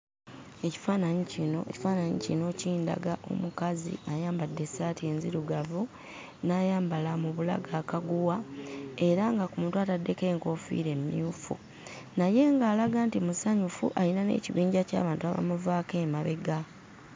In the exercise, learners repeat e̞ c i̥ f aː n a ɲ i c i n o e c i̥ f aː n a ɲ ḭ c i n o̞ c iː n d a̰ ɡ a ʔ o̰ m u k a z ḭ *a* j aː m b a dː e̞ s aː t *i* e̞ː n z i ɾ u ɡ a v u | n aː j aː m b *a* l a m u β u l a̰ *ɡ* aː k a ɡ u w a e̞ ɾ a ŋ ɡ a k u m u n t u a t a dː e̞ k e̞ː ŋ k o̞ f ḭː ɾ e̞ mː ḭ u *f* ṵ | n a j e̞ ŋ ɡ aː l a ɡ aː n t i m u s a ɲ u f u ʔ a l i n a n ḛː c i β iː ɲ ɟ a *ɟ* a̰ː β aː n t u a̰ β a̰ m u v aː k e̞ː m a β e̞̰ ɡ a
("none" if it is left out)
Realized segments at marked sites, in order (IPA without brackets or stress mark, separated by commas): a, i, a, ɡ, f, c